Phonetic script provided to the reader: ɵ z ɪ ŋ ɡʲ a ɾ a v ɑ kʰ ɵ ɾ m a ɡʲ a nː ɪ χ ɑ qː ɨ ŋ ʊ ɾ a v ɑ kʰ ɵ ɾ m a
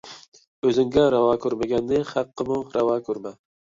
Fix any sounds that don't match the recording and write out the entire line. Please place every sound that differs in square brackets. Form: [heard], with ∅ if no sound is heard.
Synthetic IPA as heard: ɵ z ɪ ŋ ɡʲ a ɾ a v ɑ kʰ ɵ ɾ m a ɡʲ a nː ɪ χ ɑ qː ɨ [m] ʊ ɾ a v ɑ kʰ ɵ ɾ m a